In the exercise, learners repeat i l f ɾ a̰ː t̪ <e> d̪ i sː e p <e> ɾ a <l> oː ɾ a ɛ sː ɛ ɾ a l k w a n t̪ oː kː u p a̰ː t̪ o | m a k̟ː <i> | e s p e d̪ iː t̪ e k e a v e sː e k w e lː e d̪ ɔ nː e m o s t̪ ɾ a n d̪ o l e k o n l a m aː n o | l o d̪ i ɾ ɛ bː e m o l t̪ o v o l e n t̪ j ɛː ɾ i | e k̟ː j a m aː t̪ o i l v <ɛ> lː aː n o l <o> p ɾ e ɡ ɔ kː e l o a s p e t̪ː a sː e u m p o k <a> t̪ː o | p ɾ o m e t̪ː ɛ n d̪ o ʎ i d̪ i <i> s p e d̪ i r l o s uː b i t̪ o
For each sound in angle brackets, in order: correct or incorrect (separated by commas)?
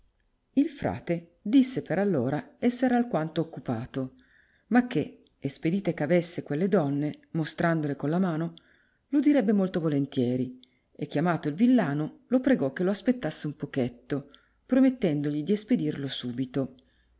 correct, correct, incorrect, incorrect, incorrect, correct, incorrect, incorrect